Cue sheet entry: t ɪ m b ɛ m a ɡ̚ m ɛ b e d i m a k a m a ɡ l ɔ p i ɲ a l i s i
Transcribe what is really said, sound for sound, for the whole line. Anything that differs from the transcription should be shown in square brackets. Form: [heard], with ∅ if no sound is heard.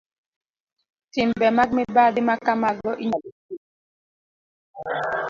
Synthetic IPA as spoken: t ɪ m b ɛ m a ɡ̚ m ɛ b [a] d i m a k a m a ɡ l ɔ [ʔ] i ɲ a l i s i